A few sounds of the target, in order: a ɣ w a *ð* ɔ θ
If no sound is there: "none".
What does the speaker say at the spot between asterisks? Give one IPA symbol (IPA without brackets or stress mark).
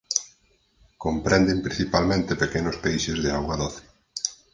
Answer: ð